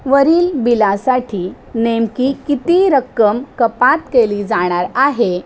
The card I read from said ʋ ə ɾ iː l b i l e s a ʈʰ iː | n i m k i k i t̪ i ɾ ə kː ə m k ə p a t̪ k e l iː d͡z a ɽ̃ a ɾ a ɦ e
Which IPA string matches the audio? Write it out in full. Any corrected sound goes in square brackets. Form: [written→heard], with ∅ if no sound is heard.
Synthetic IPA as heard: ʋ ə ɾ iː l b i l [e→a] s a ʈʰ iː | n [i→e] m k i k i t̪ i ɾ ə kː ə m k ə p a t̪ k e l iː d͡z a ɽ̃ a ɾ a ɦ e